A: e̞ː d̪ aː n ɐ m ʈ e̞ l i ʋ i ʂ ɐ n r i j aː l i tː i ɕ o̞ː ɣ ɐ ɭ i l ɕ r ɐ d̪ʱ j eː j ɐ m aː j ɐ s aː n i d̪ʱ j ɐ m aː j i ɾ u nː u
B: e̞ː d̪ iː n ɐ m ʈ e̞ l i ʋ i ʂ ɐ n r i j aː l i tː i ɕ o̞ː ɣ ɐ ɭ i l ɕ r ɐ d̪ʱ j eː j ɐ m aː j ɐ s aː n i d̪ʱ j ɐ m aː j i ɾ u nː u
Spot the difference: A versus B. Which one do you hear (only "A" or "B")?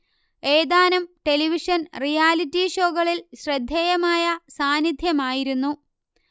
A